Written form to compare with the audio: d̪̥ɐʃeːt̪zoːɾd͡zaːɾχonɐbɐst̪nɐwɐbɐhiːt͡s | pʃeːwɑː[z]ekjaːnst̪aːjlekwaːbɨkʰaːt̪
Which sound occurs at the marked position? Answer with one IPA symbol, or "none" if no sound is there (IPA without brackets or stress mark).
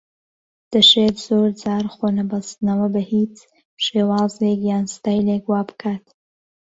z